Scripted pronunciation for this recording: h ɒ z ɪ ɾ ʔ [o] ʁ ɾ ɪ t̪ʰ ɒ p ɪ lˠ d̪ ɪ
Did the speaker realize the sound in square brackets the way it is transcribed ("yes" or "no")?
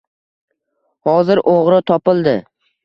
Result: yes